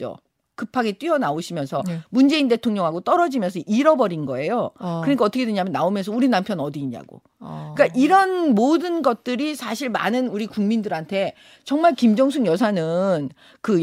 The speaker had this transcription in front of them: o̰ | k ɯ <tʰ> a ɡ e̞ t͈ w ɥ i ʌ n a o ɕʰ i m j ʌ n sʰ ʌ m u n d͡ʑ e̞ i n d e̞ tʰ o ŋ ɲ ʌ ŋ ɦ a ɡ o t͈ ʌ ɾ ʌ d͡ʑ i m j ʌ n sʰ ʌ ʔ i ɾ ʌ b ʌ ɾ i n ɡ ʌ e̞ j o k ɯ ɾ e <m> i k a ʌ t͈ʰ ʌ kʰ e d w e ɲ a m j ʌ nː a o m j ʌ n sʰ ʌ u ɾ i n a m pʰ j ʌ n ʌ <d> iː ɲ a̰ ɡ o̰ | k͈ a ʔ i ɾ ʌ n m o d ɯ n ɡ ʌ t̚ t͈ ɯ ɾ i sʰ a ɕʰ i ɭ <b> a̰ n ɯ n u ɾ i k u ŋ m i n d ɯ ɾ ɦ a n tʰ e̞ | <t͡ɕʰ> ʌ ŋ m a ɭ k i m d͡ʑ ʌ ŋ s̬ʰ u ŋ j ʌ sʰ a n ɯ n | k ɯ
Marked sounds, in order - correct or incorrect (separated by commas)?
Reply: incorrect, incorrect, correct, incorrect, incorrect